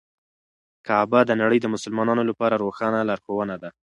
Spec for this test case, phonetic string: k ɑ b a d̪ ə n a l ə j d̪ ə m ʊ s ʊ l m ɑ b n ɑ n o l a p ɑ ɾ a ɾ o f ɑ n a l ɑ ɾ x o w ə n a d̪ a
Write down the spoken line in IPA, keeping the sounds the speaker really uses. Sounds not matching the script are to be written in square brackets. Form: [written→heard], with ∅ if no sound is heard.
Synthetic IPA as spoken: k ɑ b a d̪ ə n a [l→ɽ] ə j d̪ ə m ʊ s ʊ l m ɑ [b→∅] n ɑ n o l a p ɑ ɾ a ɾ o [f→x] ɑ n a l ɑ ɾ x o w ə n a d̪ a